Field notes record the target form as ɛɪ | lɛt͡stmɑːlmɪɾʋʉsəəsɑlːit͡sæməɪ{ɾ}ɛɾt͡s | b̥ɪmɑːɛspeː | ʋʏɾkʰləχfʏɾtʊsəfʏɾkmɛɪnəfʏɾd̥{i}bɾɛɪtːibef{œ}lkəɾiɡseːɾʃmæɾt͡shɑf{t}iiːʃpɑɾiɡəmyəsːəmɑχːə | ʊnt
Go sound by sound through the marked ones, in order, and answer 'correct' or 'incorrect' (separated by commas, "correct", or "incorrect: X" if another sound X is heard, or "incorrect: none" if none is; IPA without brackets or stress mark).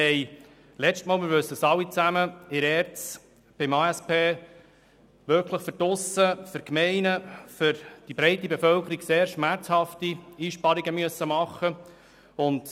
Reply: correct, correct, correct, correct